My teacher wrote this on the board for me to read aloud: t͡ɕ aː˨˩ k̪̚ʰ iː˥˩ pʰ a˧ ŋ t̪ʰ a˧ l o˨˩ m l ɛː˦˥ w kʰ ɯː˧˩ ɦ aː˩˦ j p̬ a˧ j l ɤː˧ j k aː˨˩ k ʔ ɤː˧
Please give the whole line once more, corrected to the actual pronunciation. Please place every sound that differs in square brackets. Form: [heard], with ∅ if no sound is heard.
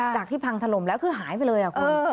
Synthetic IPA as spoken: t͡ɕ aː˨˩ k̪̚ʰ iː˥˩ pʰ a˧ ŋ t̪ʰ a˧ l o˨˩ m l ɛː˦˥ w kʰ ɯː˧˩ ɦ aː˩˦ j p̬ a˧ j l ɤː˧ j [ʔ] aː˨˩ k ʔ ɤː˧